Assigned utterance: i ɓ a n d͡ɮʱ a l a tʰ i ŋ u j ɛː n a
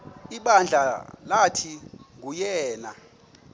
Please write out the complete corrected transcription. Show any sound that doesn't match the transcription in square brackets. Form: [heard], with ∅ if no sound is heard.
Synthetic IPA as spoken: i ɓ a n d͡ɮʱ a l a tʰ i ŋ u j ɛː n a